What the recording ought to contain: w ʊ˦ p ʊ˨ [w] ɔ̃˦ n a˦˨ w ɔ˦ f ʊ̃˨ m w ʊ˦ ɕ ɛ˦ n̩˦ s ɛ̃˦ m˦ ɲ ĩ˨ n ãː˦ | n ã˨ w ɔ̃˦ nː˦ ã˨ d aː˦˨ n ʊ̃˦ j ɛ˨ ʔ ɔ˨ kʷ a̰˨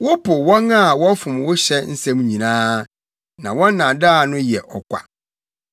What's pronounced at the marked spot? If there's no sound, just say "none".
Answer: w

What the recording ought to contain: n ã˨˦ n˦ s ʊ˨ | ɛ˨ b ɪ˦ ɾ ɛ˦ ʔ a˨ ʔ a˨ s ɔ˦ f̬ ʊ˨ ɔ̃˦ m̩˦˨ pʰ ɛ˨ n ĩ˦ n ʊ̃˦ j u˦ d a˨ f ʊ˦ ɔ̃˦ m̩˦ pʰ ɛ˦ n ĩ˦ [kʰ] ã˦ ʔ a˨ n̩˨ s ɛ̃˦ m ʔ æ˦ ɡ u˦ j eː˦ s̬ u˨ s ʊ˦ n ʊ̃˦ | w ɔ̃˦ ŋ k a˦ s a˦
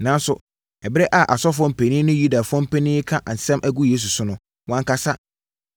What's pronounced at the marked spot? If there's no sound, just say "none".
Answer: kʰ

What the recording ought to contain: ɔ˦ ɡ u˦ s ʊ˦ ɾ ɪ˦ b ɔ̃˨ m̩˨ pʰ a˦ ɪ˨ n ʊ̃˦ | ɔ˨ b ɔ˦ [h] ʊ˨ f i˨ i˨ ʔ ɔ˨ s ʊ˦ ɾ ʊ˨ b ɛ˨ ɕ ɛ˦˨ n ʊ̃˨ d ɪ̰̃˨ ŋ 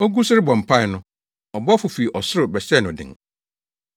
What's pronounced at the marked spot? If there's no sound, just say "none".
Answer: f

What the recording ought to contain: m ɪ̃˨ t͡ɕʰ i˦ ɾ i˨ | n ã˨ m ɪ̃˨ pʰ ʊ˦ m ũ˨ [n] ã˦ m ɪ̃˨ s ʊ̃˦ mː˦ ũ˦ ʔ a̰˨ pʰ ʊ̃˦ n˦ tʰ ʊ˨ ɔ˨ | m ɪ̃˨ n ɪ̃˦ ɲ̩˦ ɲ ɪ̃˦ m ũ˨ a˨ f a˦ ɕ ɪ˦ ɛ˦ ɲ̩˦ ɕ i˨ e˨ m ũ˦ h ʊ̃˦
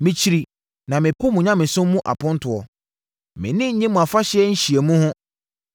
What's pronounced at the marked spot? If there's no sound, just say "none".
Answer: ɲ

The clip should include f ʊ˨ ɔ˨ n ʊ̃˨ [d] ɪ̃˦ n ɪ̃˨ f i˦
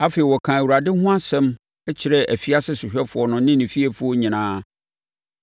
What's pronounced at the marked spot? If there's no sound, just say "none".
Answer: n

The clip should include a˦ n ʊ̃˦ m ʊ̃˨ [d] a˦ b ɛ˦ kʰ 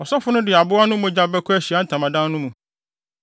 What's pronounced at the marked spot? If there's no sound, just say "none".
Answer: d͡ʑ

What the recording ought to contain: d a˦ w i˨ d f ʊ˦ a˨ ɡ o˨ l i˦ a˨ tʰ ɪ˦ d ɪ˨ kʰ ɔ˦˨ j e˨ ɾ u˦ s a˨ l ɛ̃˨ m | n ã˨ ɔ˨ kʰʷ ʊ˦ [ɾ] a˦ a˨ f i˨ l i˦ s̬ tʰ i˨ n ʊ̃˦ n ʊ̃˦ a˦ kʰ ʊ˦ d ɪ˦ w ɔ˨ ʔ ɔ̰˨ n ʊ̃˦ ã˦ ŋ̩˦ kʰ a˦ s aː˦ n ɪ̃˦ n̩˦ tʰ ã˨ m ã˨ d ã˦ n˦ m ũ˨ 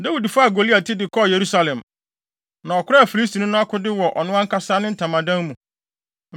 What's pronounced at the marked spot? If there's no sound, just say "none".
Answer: ɾ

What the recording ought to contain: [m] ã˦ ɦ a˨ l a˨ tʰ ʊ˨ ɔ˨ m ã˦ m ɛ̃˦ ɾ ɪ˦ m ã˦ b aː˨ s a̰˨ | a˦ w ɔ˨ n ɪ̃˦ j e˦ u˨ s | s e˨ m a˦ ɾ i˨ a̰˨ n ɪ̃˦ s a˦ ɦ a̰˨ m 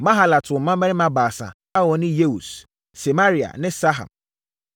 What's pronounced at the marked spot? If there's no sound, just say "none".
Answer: m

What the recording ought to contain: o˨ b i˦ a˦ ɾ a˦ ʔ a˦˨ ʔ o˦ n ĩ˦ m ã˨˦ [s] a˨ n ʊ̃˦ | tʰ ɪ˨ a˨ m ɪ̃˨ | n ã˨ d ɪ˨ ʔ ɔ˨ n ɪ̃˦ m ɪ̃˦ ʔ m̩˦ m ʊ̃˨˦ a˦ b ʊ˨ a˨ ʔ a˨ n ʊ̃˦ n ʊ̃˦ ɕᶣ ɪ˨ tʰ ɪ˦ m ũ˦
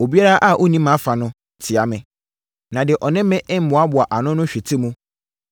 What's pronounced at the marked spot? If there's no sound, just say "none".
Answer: f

